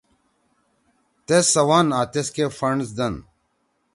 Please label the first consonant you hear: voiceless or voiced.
voiceless